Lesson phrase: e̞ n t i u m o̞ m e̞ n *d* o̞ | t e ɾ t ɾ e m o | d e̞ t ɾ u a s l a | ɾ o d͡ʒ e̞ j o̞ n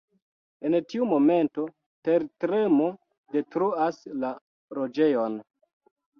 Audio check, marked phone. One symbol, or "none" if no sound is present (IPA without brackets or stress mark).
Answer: t